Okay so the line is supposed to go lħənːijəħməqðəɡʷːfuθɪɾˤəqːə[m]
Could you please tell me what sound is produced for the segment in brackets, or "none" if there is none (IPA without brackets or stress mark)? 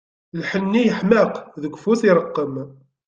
m